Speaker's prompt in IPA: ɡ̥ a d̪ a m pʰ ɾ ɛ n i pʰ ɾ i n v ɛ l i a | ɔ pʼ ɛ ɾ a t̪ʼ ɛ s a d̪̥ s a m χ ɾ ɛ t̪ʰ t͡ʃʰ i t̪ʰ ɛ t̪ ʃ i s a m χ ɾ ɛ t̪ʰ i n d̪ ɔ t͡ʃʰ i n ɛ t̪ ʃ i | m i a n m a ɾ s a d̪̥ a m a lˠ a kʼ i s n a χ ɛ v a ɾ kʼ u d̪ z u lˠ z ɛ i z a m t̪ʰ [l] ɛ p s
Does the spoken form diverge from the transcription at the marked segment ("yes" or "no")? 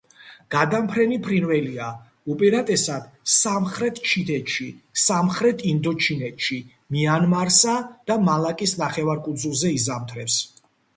yes